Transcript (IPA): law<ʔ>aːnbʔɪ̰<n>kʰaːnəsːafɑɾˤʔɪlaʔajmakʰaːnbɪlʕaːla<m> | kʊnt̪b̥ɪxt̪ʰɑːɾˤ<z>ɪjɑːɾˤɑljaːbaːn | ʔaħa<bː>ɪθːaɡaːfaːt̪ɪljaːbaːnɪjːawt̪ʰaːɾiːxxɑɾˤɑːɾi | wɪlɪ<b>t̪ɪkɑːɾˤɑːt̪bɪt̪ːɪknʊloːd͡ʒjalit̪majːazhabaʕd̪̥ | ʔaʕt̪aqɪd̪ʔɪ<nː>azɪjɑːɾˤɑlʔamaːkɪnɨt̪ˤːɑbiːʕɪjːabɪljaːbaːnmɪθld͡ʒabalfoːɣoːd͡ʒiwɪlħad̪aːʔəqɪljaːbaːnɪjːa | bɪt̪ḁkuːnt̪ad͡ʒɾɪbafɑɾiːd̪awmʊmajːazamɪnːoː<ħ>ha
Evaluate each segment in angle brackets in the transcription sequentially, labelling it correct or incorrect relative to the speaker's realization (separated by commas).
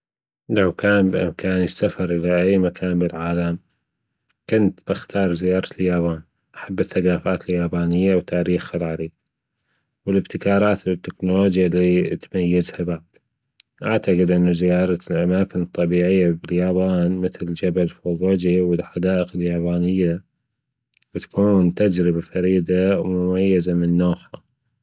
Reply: incorrect, incorrect, correct, correct, correct, correct, correct, correct